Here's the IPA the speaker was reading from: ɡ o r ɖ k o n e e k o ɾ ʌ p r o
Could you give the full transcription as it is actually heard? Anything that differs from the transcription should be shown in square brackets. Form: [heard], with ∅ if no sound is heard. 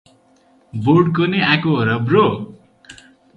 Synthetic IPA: [b] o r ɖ k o n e [a] k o ɾ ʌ [b] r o